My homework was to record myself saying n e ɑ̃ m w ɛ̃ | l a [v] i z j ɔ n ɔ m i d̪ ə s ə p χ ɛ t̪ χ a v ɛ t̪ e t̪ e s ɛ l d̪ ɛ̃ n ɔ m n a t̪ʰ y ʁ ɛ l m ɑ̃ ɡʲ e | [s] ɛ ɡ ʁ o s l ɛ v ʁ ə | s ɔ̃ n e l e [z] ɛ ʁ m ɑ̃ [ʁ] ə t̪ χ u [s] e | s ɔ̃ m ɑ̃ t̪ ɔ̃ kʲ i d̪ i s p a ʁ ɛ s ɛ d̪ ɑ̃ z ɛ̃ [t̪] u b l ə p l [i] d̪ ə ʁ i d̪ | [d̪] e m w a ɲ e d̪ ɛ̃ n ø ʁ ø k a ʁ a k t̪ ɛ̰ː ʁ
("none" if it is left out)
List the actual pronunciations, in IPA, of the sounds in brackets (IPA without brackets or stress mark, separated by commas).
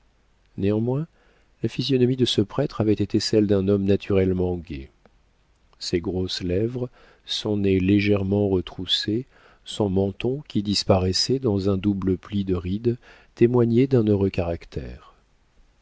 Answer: f, s, ʒ, ʁ, s, d̪, i, t̪